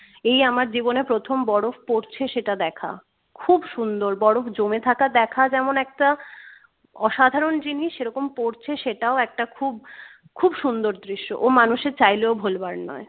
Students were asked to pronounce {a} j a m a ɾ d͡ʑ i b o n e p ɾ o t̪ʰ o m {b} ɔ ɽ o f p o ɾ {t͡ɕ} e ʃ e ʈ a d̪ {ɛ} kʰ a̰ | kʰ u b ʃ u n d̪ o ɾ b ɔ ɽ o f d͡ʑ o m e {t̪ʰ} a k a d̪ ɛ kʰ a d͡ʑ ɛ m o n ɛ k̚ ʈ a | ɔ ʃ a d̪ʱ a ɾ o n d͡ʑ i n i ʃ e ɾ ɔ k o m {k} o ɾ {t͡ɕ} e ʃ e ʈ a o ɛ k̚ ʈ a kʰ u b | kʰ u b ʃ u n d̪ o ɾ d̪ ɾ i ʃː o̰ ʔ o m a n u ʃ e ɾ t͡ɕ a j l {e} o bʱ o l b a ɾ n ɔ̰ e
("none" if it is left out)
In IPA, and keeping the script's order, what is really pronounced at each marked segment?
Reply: e, b, t͡ɕʰ, ɛ, t̪ʰ, p, t͡ɕʰ, e

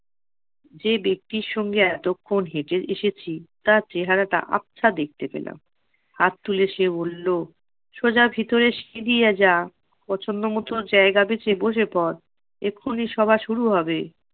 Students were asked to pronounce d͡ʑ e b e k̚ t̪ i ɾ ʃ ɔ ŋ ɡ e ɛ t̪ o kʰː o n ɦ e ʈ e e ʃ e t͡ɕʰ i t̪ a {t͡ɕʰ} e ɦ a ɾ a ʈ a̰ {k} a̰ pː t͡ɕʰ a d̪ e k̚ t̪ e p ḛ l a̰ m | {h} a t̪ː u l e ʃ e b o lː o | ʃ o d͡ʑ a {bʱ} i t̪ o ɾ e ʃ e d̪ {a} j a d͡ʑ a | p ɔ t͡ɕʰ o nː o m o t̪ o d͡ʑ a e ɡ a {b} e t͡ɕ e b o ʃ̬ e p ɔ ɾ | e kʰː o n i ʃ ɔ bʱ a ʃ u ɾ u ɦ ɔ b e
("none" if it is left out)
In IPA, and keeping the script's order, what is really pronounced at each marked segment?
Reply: t͡ɕ, ʔ, h, bʱ, i, b

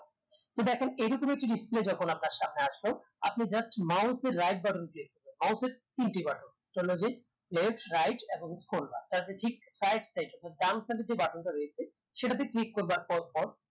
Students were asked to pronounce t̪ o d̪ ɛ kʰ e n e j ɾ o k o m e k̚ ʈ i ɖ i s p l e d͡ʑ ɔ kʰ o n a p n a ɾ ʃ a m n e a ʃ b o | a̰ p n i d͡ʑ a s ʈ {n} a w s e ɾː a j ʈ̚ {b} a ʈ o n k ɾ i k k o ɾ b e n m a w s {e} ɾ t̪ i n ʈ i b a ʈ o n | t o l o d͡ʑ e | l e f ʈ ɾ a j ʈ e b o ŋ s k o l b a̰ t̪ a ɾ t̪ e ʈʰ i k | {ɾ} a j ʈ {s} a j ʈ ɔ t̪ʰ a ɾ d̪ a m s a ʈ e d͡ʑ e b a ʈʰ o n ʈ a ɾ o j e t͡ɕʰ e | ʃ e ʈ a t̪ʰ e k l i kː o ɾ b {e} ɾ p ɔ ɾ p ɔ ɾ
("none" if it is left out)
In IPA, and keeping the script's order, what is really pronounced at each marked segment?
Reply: m, b, e, ɾ, s, a

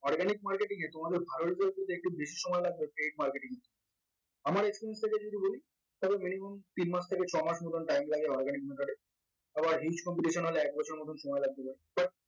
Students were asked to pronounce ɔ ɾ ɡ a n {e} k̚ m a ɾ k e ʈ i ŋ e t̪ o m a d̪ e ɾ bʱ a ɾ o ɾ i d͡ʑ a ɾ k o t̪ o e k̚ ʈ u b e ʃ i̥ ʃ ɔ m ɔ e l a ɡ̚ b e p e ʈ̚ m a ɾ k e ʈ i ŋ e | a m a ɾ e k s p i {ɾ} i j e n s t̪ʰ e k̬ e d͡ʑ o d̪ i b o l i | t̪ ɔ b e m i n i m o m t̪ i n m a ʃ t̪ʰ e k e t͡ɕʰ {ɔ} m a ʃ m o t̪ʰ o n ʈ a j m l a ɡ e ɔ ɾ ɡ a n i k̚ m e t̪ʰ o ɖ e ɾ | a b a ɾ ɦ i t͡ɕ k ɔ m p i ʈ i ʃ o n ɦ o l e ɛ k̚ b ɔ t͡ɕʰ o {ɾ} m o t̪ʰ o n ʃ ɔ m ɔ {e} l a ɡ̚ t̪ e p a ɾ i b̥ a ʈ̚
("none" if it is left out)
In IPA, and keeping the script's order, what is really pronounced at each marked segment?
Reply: i, ɾ, ɔ, ɾ, e

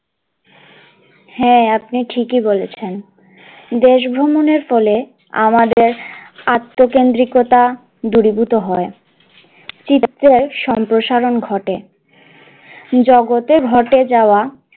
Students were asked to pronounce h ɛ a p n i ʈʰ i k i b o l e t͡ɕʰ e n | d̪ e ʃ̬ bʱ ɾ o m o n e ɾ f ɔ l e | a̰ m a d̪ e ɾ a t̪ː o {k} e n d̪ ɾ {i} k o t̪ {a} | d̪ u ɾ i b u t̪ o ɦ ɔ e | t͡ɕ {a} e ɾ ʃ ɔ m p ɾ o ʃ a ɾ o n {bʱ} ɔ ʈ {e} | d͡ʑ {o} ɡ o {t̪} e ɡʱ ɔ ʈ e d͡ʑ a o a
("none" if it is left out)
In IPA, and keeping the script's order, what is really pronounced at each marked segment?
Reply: k, i, a, i, ɡʱ, e, ɔ, t̪

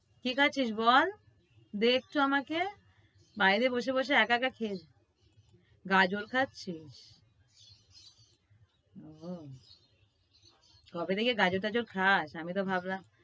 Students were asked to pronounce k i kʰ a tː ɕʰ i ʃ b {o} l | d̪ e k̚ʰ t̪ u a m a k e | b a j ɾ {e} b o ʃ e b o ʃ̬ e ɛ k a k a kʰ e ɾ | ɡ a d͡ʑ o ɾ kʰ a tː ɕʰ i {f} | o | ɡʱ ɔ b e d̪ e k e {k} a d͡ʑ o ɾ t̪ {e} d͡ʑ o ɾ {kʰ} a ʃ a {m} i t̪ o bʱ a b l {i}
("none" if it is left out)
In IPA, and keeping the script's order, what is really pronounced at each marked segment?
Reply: ɔ, e, ʃ, ɡ, a, kʰ, m, a

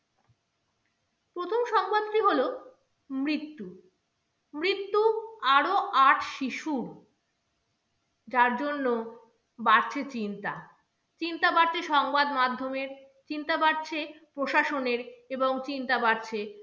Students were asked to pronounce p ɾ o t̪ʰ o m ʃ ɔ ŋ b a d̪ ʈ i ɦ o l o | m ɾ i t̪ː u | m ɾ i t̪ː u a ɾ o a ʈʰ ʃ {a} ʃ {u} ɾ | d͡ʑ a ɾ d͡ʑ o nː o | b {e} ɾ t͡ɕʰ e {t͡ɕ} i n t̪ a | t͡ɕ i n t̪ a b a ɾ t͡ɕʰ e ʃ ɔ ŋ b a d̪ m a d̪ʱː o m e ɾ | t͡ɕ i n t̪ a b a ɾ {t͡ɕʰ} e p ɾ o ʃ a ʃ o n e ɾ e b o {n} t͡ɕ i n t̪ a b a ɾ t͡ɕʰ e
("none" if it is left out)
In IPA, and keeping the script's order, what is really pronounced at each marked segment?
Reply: i, u, a, t͡ɕ, t͡ɕʰ, ŋ

